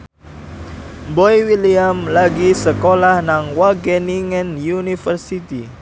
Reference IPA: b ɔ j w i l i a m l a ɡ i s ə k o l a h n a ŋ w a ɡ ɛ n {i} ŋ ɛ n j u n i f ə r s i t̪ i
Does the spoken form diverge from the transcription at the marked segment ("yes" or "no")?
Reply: no